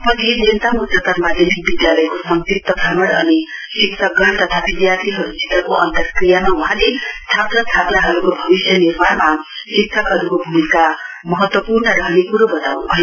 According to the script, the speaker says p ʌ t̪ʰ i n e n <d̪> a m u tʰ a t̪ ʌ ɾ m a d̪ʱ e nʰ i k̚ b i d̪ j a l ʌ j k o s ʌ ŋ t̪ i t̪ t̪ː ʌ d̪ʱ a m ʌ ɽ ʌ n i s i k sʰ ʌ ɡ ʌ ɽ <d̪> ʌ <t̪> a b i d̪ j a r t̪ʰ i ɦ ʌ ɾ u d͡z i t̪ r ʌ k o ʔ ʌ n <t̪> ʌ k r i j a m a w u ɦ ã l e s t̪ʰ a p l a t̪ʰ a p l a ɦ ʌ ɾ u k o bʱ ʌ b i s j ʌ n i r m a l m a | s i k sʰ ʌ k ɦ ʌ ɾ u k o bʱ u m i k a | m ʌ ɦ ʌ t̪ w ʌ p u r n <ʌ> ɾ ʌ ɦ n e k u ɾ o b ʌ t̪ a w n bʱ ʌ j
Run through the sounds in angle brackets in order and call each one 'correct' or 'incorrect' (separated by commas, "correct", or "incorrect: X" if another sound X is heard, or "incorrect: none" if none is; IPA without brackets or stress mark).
incorrect: t̪, incorrect: t̪, incorrect: t̪ʰ, correct, correct